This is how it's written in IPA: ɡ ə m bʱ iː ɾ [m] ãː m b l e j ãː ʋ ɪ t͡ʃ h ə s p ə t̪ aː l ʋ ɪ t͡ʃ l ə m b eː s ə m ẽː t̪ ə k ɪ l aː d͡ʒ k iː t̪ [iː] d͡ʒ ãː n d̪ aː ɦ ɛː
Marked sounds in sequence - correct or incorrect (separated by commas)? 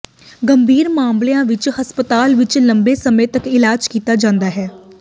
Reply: correct, incorrect